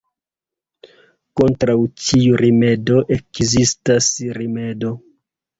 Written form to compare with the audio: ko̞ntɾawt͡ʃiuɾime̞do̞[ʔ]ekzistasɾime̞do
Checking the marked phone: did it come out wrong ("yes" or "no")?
no